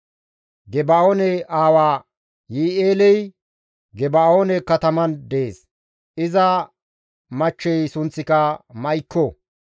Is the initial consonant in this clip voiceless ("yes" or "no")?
no